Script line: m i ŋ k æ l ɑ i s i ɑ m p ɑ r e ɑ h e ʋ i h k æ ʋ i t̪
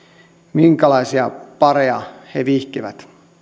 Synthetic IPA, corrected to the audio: m i ŋ k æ l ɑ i s i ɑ p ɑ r e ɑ h e ʋ i h k i ʋ æ t̪